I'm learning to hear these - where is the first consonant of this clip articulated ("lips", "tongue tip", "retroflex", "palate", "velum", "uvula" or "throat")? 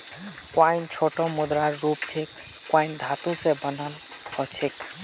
velum